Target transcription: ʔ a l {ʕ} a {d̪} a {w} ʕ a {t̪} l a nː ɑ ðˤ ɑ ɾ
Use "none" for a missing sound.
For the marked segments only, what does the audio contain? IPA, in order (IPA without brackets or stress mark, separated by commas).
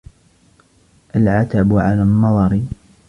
ʕ, t̪, b, none